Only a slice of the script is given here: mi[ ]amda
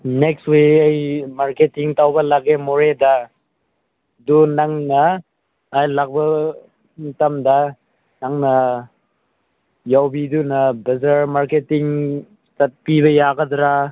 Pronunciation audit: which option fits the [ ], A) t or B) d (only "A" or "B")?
A